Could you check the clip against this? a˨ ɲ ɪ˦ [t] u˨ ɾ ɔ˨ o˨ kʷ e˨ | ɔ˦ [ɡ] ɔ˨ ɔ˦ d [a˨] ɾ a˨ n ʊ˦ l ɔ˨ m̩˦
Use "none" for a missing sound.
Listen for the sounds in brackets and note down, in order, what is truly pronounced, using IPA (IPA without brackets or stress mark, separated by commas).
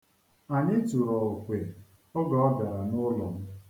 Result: t, ɡ, a˨